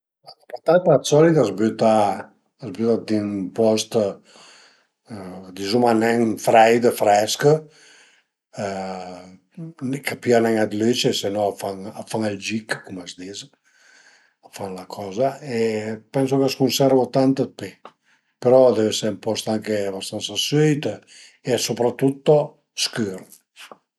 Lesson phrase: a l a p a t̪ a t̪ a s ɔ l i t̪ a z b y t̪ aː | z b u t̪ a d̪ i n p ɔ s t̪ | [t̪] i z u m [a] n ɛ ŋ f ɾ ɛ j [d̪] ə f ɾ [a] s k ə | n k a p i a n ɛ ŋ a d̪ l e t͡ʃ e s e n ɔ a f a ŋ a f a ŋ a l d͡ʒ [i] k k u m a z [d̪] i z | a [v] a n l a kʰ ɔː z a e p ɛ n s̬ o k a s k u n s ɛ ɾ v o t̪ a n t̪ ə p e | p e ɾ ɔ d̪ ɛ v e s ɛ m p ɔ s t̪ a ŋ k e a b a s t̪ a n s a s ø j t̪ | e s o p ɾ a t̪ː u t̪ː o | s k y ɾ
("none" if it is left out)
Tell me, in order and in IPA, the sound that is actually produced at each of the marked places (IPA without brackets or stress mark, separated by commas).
d̪, a, d̪, ɛ, i, d̪, f